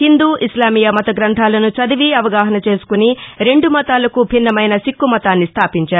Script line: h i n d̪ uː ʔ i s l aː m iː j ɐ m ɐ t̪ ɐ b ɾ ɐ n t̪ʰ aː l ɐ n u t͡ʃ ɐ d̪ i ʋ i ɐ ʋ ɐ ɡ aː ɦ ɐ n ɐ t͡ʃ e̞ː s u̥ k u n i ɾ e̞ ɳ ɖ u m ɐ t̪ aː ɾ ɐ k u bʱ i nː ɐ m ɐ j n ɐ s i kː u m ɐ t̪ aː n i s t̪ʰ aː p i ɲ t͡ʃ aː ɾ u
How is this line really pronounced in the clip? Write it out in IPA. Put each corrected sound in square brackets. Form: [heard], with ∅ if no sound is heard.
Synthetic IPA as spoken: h i n d̪ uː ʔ i s l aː m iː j ɐ m ɐ t̪ ɐ [ɡ] ɾ ɐ n t̪ʰ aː l ɐ n u t͡ʃ ɐ d̪ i ʋ i ɐ ʋ ɐ ɡ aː ɦ ɐ n ɐ t͡ʃ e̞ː s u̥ k u n i ɾ e̞ ɳ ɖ u m ɐ t̪ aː [l] ɐ k u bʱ i nː ɐ m ɐ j n ɐ s i kː u m ɐ t̪ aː [nː] i s t̪ʰ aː p i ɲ t͡ʃ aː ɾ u